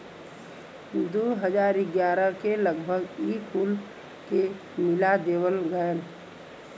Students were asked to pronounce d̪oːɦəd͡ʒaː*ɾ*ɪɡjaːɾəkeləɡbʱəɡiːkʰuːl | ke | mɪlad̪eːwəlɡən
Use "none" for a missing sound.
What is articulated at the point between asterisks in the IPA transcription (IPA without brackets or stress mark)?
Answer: ɾ